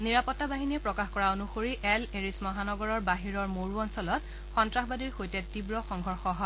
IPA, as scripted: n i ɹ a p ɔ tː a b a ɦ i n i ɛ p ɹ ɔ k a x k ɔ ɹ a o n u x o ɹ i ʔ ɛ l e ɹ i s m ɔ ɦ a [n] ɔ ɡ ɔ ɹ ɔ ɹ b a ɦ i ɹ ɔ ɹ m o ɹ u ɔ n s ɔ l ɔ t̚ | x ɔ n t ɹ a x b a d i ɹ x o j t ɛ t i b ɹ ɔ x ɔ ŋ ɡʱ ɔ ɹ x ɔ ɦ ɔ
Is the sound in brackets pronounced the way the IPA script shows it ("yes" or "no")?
yes